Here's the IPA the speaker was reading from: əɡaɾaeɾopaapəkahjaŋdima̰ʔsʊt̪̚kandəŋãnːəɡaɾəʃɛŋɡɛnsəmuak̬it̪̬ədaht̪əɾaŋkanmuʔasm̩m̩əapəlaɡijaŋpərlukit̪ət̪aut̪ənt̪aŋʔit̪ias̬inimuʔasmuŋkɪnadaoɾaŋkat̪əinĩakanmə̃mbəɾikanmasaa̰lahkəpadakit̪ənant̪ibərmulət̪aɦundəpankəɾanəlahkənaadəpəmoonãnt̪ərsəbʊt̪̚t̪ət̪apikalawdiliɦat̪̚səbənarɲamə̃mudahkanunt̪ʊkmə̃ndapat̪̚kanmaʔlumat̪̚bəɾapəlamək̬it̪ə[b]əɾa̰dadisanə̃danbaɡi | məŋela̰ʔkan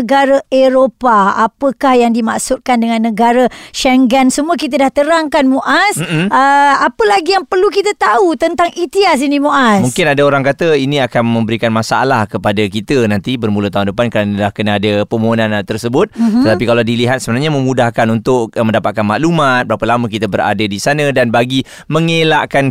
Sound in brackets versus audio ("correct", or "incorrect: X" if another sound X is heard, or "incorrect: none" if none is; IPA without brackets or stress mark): correct